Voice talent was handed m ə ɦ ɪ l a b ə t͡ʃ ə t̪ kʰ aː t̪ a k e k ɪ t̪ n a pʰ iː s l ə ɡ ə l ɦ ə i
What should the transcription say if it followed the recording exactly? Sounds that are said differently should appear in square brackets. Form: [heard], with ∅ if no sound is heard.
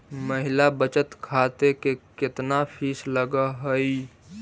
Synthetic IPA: m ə ɦ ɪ l a b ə t͡ʃ ə t̪ kʰ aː t̪ [e] k e k ɪ t̪ n a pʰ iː s l ə ɡ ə [∅] ɦ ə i

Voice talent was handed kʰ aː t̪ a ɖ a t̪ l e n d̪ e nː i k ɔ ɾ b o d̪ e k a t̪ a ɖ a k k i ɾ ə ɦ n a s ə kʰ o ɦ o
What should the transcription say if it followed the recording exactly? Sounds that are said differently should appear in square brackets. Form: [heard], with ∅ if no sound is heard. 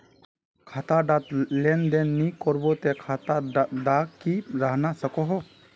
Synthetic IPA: kʰ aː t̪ a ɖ a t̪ l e n d̪ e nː i k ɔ ɾ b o [t̪] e [kʰ] a t̪ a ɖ a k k i ɾ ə ɦ n a s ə [k] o ɦ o

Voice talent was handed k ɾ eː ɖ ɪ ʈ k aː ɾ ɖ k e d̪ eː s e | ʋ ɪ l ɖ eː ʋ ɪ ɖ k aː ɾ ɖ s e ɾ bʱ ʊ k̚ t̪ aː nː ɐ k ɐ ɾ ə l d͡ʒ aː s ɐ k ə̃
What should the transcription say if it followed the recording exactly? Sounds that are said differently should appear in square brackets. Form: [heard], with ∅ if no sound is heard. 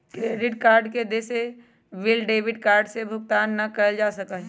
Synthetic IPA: k ɾ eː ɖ ɪ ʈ k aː ɾ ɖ k e d̪ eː s e | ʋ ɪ l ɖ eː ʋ ɪ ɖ k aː ɾ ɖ s e [∅] bʱ ʊ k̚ t̪ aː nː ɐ k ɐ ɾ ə l d͡ʒ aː s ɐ k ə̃

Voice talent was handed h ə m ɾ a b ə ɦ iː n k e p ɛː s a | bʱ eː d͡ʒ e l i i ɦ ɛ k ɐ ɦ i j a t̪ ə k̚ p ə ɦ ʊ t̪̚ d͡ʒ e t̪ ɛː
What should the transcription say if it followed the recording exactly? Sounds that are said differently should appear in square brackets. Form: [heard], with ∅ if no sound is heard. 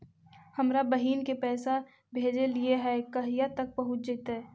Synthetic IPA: h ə m ɾ a b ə ɦ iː n k e p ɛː s a | bʱ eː d͡ʒ e l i [e] ɦ ɛ k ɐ ɦ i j a t̪ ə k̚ p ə ɦ ʊ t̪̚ d͡ʒ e t̪ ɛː

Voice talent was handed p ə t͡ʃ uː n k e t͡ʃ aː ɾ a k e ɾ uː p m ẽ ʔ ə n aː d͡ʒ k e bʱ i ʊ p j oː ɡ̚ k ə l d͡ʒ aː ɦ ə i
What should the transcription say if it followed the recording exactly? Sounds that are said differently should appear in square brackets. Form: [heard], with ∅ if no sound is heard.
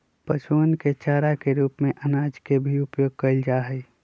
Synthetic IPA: p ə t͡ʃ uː n k e t͡ʃ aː ɾ a k e ɾ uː p m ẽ ʔ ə n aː d͡ʒ k e bʱ i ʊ p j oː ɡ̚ k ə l d͡ʒ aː ɦ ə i

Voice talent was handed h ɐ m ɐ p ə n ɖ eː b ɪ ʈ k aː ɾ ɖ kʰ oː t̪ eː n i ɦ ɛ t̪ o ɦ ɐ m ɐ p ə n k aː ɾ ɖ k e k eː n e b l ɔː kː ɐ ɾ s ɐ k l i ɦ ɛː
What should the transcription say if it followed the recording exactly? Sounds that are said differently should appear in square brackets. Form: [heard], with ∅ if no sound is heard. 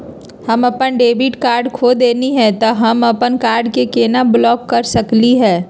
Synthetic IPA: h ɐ m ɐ p ə n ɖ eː b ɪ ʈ k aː ɾ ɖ kʰ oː [d̪] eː n i ɦ ɛ t̪ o ɦ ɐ m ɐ p ə n k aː ɾ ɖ k e k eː n [a] b l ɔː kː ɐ ɾ s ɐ k l i ɦ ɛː

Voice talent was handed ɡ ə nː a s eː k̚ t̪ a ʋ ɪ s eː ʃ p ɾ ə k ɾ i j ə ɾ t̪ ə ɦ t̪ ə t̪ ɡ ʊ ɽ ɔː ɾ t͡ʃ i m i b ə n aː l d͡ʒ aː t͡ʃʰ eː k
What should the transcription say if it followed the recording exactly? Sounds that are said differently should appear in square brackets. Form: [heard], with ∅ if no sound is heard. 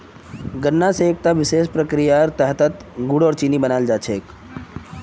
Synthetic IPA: ɡ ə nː a s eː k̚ t̪ a ʋ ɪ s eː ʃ p ɾ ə k ɾ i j [a] ɾ t̪ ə ɦ t̪ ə t̪ ɡ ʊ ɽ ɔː ɾ t͡ʃ i [n] i b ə n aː l d͡ʒ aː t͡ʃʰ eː k

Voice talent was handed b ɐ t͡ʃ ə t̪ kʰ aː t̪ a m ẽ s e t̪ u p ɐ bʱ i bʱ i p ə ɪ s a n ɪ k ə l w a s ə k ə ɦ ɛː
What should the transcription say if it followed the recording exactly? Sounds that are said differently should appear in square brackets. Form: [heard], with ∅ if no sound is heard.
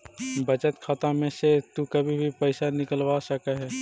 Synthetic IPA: b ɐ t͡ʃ ə t̪ kʰ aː t̪ a m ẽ s e t̪ u [k] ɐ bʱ i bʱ i p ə ɪ s a n ɪ k ə l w a s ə k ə ɦ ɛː

